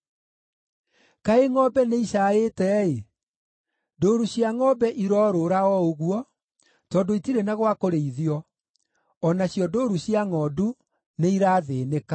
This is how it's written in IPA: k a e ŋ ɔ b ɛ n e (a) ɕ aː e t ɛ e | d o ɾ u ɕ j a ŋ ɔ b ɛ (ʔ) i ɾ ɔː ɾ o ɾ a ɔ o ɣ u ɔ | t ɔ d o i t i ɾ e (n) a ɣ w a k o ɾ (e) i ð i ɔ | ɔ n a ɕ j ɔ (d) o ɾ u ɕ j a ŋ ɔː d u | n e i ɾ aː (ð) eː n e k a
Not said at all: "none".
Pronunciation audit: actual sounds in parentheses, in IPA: i, ʔ, n, e, d, ð

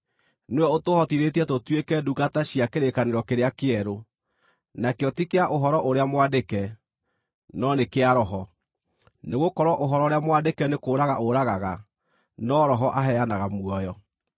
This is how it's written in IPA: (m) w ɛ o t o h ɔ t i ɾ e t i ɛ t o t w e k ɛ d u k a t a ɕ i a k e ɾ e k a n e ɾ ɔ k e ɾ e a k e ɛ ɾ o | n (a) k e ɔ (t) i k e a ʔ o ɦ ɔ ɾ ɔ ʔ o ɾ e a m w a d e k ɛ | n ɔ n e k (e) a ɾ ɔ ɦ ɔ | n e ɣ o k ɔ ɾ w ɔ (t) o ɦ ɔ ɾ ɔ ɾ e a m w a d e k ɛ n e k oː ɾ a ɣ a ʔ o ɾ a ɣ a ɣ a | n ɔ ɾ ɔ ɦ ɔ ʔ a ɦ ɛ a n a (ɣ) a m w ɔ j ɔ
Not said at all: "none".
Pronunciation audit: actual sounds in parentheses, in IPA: n, a, t, e, ʔ, ɣ

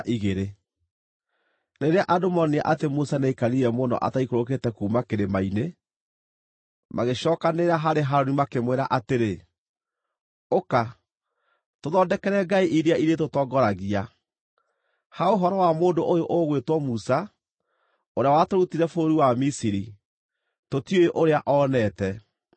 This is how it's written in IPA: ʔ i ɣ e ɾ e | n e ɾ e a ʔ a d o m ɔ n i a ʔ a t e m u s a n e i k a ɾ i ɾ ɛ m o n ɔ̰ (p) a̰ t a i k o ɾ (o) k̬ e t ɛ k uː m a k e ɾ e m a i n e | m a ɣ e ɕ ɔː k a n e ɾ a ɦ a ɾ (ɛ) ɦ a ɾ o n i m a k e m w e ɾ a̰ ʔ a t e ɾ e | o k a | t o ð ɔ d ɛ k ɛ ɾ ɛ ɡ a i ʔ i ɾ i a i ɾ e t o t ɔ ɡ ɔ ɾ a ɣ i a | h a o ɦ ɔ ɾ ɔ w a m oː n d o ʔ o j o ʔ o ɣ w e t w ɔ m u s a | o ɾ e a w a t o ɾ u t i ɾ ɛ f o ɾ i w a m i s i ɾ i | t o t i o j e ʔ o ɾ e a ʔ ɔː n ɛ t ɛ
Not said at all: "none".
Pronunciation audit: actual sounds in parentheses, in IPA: ʔ, o, e

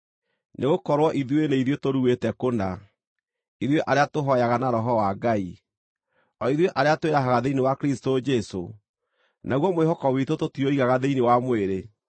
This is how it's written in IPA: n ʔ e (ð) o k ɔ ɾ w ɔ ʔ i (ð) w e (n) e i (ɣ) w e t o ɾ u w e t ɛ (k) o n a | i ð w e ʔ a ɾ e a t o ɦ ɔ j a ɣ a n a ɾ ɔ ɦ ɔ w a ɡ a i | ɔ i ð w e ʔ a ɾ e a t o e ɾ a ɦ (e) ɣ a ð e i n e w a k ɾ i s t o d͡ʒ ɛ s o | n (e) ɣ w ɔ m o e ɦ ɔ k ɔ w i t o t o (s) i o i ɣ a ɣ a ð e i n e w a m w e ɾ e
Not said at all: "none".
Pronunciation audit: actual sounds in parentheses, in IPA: ɣ, ð, n, ð, k, a, a, t

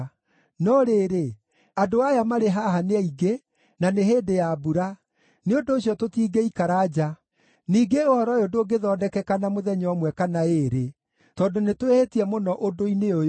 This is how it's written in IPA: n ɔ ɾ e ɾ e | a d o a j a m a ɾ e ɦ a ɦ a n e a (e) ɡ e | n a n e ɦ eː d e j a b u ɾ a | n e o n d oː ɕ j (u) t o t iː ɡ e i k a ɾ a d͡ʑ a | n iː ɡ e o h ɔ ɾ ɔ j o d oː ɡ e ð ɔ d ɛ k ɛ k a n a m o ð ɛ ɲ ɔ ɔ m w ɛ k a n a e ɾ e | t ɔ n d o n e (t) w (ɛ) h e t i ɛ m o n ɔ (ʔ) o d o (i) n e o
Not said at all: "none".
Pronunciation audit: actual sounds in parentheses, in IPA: i, ɔ, t, e, ʔ, i

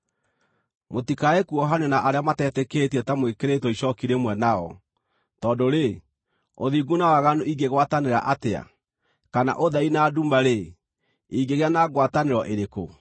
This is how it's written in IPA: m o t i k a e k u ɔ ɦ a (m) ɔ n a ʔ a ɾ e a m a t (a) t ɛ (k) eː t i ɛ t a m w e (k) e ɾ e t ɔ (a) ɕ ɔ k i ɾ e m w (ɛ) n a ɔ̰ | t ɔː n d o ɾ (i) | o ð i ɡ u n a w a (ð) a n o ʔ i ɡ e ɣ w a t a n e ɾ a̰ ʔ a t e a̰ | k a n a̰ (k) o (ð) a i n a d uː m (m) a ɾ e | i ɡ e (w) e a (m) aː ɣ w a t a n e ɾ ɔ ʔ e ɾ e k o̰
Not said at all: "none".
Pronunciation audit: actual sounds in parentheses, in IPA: n, ɛ, k, k, i, ɛ, e, ɣ, ʔ, ð, b, ɣ, n

